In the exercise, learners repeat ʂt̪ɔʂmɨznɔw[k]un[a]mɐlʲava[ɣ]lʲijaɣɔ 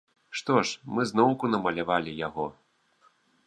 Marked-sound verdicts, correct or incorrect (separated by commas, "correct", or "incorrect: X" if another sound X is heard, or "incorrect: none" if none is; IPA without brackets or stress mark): correct, incorrect: ɐ, incorrect: none